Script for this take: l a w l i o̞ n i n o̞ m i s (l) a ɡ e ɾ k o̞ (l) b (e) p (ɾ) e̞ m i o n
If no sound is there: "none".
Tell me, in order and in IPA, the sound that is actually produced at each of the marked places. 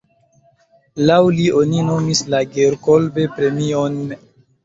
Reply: l, l, e, ɾ

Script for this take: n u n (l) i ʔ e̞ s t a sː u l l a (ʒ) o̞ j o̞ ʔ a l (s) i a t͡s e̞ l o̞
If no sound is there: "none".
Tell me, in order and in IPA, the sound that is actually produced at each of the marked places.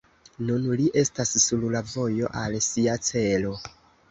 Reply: l, v, s

